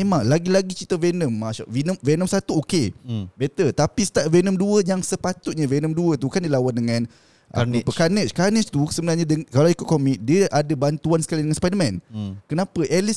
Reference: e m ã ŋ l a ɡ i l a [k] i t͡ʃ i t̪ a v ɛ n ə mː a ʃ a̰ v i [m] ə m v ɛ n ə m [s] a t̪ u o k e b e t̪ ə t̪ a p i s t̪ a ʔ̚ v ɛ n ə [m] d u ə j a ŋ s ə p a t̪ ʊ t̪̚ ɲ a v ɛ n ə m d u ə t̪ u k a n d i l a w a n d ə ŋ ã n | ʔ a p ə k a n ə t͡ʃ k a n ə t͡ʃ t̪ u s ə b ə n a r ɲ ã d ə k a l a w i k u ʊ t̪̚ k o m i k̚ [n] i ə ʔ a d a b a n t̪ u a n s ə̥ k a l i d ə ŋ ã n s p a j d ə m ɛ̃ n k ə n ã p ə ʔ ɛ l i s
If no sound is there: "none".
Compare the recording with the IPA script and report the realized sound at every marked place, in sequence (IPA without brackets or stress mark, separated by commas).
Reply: ɡ, n, s, m, d